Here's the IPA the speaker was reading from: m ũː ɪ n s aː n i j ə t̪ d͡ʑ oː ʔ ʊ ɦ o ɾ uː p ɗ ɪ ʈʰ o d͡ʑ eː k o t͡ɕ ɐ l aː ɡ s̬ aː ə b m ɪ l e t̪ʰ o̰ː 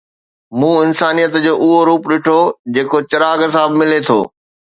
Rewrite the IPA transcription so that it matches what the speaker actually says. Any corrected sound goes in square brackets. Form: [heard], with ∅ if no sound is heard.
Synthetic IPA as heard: m ũː ɪ n s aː n i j ə t̪ d͡ʑ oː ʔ ʊ ɦ o ɾ uː p ɗ ɪ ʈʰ o d͡ʑ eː k o t͡ɕ ɐ [ɾ] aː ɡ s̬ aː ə b m ɪ l e t̪ʰ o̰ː